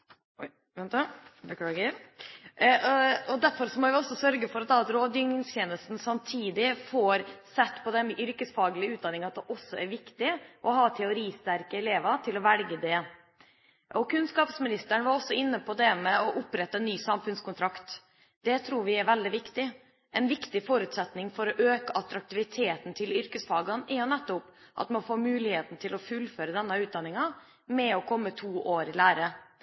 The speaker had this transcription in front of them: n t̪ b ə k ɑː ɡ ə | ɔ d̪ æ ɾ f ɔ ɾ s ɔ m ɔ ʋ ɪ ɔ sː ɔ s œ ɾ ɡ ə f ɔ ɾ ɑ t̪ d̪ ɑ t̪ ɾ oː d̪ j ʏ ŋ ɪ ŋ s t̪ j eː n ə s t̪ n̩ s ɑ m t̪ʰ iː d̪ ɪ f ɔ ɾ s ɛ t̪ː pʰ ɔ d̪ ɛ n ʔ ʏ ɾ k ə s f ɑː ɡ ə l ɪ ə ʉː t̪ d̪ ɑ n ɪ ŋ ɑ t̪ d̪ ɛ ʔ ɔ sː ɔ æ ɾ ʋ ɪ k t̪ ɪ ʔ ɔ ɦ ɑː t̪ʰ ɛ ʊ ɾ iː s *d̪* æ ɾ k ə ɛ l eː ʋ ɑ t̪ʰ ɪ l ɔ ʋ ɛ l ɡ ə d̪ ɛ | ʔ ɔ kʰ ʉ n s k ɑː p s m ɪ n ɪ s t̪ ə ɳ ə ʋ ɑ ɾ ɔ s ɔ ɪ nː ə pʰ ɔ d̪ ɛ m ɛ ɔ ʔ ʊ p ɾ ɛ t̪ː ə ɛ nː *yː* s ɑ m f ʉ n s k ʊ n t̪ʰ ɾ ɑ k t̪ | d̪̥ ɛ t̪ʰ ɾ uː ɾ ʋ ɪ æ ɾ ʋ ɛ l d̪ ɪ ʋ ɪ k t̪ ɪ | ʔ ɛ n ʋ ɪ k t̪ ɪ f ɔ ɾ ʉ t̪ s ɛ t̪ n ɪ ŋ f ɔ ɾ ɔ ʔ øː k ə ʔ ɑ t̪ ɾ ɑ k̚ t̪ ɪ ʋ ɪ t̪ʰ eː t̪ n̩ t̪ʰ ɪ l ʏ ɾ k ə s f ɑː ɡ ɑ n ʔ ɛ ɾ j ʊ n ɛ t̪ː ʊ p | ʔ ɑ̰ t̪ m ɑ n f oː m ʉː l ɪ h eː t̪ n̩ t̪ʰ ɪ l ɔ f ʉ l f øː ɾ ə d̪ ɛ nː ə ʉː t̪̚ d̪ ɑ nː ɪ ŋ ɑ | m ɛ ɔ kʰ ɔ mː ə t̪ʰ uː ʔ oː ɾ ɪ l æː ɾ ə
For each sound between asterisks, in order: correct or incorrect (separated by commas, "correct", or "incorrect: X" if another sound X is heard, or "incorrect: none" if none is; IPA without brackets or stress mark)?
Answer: incorrect: t̪, correct